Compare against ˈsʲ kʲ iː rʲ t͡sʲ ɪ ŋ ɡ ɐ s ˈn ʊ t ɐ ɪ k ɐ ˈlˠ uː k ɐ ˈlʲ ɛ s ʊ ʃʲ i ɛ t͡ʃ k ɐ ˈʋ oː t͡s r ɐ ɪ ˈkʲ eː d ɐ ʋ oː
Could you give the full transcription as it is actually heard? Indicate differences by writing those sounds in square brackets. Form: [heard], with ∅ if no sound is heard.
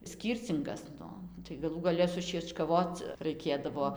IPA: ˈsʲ kʲ iː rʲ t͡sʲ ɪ ŋ ɡ ɐ s ˈn ʊ t ɐ ɪ [ɡ] ɐ ˈlˠ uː [ɡ] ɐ ˈlʲ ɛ s ʊ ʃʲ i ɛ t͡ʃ k ɐ ˈʋ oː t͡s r ɐ ɪ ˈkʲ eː d ɐ ʋ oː